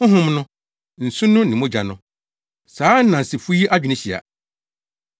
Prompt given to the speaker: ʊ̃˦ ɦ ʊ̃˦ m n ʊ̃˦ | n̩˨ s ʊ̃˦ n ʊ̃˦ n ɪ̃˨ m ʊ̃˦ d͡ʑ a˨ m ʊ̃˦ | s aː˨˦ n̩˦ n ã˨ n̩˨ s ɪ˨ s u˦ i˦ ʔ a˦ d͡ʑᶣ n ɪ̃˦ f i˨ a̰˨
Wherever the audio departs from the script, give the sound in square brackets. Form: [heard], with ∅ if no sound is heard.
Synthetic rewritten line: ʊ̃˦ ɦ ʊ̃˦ m n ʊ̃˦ | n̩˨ s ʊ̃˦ n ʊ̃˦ n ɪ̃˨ m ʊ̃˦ d͡ʑ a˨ [n] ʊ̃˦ | s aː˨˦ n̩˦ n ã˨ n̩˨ s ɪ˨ [f] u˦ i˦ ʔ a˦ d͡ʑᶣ n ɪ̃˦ [ɕ] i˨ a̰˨